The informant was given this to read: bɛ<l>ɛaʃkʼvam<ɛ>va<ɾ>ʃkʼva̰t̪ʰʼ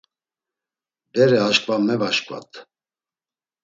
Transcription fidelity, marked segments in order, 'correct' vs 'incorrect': incorrect, correct, incorrect

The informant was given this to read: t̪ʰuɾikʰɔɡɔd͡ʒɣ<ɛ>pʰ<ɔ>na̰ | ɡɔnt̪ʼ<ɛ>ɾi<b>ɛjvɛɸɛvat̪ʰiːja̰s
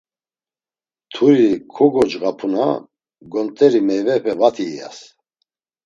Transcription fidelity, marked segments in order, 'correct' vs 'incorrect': incorrect, incorrect, correct, incorrect

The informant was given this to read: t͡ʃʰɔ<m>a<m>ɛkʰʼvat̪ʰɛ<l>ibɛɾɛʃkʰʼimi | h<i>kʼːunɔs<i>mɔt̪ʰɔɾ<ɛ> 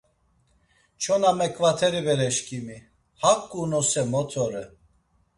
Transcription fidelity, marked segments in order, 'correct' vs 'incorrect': incorrect, correct, incorrect, incorrect, incorrect, correct

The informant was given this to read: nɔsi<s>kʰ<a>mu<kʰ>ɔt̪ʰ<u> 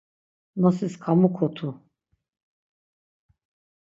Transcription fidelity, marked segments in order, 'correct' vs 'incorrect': correct, correct, correct, correct

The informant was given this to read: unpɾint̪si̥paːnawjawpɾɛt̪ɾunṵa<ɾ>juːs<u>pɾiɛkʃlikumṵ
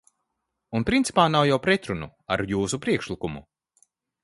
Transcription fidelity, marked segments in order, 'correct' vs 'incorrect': correct, correct

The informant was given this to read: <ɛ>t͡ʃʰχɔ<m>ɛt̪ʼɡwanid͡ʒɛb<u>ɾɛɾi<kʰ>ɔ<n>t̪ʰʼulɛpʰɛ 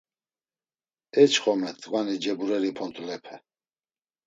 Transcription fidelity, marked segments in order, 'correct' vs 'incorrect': correct, correct, correct, incorrect, correct

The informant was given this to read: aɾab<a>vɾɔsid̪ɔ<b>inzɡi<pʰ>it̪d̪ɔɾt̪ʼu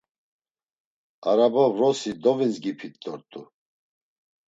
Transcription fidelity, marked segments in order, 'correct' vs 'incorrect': correct, incorrect, correct

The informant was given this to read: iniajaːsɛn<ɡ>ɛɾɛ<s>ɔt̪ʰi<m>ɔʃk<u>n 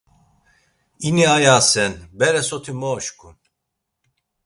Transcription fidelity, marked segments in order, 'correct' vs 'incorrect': incorrect, correct, correct, correct

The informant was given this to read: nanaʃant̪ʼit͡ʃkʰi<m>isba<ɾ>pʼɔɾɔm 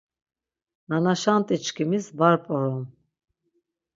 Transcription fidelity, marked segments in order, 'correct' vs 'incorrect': correct, correct

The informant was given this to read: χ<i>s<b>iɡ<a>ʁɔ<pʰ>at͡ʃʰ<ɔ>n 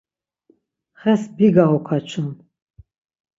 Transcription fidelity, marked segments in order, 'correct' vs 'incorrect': incorrect, correct, correct, incorrect, incorrect

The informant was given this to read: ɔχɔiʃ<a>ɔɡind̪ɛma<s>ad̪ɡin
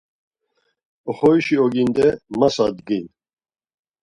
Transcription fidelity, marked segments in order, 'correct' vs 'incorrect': incorrect, correct

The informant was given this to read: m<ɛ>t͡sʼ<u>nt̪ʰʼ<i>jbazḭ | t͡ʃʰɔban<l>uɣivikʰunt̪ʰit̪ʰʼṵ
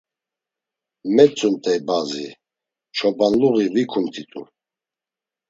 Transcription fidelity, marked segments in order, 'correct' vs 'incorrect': correct, correct, incorrect, correct

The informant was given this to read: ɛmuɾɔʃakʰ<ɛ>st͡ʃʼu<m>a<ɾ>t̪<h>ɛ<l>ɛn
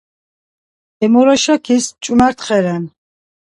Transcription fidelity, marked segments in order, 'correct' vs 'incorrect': incorrect, correct, correct, incorrect, incorrect

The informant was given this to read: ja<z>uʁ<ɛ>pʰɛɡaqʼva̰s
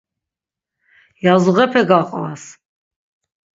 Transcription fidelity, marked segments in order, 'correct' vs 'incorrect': correct, correct

